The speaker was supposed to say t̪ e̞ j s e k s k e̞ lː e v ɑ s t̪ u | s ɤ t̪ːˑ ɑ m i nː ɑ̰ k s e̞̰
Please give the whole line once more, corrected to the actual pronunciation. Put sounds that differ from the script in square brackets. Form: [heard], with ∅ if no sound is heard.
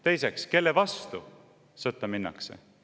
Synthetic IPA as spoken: t̪ e̞ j s e k s k e̞ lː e v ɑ s t̪ u | s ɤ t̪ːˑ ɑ m i nː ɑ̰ k s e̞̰